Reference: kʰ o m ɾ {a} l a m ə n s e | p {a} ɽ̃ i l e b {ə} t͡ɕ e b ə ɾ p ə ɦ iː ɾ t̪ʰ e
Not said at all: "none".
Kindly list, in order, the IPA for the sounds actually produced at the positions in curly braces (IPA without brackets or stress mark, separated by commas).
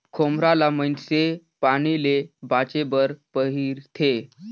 a, a, a